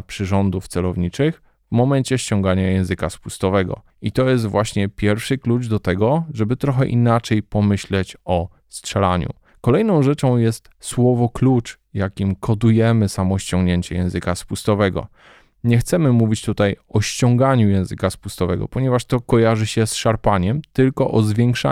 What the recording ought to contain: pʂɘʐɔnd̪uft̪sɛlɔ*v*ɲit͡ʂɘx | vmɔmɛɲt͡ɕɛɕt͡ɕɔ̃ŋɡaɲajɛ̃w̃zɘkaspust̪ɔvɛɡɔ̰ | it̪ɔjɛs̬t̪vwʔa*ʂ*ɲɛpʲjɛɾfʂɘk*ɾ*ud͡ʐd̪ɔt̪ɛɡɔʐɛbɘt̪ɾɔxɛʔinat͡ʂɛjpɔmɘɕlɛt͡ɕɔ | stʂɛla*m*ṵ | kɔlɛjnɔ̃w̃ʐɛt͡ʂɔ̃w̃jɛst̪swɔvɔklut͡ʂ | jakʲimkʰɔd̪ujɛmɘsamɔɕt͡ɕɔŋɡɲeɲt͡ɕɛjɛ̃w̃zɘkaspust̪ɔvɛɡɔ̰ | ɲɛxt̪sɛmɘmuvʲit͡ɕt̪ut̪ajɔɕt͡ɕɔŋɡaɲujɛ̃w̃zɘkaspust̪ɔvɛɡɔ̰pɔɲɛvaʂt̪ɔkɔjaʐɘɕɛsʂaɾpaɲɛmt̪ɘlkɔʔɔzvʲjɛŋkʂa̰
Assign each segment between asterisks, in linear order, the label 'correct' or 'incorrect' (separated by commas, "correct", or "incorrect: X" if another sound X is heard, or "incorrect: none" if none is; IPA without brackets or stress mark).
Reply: correct, incorrect: ɕ, incorrect: l, incorrect: ɲ